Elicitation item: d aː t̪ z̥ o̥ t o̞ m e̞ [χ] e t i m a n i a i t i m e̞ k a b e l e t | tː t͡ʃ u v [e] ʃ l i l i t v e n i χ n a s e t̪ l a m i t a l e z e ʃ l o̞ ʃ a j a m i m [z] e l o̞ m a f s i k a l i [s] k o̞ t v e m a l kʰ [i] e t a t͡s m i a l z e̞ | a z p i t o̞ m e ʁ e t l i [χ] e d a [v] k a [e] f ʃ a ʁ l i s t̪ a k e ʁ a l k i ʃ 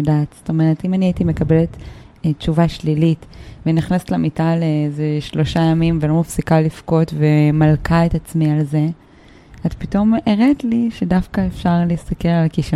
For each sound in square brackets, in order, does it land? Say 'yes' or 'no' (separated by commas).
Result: no, no, no, no, no, no, no, yes